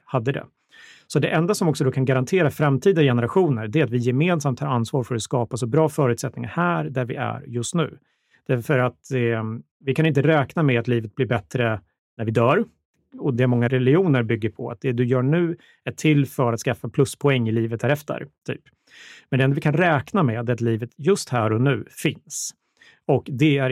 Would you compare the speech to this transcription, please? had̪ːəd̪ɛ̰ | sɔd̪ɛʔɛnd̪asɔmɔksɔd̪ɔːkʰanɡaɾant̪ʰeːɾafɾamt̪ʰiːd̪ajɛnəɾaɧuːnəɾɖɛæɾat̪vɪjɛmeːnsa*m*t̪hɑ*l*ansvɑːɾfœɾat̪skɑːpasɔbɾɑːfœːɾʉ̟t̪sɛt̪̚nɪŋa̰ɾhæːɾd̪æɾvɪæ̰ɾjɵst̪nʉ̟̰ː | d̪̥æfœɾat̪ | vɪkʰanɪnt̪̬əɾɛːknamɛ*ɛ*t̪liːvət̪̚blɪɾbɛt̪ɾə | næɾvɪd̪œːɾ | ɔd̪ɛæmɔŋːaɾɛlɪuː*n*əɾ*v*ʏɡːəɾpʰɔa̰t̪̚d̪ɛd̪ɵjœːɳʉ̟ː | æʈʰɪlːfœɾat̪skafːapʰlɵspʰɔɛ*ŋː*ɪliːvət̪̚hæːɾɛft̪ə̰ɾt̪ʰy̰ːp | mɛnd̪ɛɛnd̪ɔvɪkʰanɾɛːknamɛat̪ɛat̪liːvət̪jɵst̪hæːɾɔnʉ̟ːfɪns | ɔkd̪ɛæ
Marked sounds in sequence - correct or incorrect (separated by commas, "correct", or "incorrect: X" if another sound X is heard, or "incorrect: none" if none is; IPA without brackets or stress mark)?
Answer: correct, incorrect: ɾ, incorrect: a, correct, incorrect: b, correct